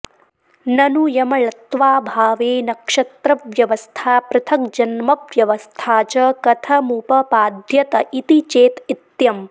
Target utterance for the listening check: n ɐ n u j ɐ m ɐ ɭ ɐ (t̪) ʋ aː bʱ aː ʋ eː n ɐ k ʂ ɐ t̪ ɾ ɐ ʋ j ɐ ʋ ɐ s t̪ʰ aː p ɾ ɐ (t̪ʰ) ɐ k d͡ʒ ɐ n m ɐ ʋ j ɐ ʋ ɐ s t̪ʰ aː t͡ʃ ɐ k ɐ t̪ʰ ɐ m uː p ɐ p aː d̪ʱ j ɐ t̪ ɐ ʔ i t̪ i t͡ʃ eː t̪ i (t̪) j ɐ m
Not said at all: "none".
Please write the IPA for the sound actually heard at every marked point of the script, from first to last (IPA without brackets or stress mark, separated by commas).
t̪, t̪ʰ, t̪